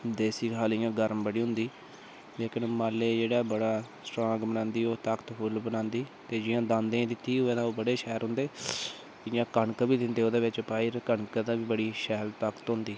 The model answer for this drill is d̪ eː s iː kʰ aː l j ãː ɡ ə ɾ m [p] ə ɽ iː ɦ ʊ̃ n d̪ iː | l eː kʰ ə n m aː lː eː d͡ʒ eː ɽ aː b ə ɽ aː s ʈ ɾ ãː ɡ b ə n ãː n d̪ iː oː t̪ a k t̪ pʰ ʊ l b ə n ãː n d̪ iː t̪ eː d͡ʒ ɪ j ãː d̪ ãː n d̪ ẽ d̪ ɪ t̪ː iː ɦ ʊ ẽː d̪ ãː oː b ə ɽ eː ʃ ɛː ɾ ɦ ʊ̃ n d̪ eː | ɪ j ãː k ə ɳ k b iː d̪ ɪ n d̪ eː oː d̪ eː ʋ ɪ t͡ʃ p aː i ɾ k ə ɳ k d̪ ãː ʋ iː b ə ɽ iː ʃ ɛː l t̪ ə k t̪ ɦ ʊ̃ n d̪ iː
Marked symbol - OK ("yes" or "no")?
no